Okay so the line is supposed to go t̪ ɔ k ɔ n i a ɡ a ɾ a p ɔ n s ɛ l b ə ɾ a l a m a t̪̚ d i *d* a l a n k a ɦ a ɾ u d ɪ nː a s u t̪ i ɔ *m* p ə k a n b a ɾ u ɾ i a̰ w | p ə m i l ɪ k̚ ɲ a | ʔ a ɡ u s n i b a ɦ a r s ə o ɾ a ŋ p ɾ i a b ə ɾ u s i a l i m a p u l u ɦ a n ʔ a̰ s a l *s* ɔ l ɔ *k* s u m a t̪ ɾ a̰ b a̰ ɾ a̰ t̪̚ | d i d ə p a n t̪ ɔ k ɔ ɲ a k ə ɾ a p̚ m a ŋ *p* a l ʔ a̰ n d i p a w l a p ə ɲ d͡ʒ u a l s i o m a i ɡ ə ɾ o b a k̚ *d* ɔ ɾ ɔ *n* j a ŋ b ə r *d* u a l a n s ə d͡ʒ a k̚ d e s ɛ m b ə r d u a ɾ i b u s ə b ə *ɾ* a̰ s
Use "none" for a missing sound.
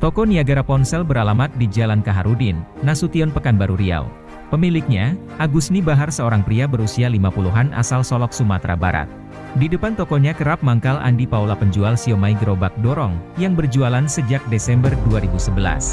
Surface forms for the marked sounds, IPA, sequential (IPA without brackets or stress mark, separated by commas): d͡ʒ, n, s, k, k, d, ŋ, d͡ʒ, l